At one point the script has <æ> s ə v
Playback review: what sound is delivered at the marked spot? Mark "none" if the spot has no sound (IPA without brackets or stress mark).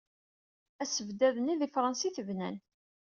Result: æ